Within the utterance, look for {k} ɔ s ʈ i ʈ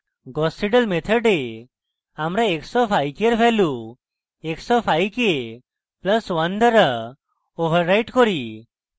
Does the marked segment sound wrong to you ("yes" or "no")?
yes